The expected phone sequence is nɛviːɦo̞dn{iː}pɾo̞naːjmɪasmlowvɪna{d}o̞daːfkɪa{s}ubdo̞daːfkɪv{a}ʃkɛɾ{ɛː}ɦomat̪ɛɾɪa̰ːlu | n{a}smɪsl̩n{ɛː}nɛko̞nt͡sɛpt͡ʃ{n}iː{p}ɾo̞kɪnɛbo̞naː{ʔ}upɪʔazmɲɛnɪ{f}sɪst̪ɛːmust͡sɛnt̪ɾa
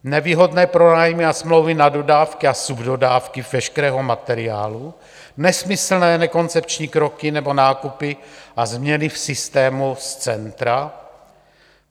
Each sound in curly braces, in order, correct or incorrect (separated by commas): incorrect, correct, correct, incorrect, correct, incorrect, correct, incorrect, incorrect, incorrect, correct